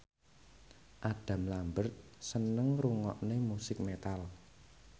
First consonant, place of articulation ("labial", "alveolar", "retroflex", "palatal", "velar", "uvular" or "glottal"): glottal